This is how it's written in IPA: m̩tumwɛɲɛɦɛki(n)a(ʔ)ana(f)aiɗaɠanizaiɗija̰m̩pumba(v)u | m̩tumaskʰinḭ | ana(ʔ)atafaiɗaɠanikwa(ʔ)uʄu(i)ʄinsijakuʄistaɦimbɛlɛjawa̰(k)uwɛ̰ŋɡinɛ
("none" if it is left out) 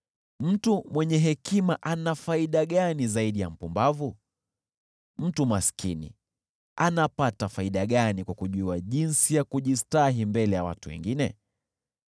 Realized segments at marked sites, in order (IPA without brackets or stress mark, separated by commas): m, ʔ, f, v, p, k, a, t